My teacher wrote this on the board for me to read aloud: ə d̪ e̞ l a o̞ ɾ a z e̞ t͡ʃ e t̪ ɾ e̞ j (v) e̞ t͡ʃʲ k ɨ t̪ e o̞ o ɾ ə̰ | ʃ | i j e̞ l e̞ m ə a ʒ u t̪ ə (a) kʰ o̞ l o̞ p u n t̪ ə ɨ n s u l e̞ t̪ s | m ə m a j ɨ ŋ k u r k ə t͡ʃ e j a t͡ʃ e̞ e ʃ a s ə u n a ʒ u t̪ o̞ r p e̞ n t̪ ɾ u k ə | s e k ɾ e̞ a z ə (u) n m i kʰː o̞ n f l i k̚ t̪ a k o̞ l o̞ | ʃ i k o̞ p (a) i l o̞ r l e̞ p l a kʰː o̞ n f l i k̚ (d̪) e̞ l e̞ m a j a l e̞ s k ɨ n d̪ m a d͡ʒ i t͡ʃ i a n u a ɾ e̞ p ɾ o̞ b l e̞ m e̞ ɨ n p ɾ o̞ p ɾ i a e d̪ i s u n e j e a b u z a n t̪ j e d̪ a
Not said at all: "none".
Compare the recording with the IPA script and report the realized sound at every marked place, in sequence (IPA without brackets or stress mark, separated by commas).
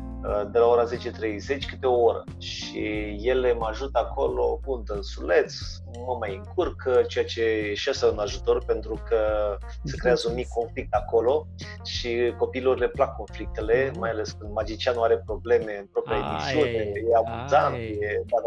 z, a, u, i, t̪